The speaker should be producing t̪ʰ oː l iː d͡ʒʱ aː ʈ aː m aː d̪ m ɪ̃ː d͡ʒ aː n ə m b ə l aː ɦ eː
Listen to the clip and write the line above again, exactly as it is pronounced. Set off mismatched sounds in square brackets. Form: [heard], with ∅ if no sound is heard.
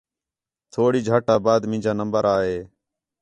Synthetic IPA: t̪ʰ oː [ɽ] iː d͡ʒʱ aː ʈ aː [b] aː d̪ m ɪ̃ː d͡ʒ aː n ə m b ə [ɾ] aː ɦ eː